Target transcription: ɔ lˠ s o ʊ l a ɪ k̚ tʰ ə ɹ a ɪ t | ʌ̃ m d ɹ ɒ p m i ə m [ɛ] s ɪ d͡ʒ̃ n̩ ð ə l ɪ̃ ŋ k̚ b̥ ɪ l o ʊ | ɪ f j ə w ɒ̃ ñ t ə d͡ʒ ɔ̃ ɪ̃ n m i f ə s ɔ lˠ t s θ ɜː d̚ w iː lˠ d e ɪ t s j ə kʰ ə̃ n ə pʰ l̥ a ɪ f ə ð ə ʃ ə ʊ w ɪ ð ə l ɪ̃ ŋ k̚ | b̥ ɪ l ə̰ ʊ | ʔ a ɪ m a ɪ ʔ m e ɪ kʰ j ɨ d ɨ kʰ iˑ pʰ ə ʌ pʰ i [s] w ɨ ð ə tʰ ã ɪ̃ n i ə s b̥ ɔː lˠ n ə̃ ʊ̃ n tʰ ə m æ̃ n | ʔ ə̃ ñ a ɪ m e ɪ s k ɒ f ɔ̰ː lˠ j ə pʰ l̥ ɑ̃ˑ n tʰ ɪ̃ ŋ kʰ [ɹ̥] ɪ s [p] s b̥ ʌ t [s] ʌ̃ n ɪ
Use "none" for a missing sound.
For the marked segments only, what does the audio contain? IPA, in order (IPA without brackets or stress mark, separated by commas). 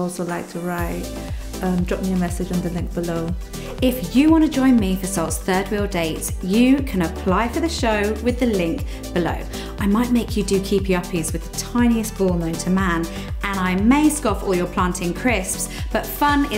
ɛ, z, ɹ̥, p, f